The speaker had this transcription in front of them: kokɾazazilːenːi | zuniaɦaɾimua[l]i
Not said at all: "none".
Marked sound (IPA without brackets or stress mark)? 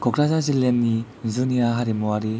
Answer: ɾ